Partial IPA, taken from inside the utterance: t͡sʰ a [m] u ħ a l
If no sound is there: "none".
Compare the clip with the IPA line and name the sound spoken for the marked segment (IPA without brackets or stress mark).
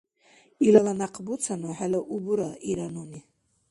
n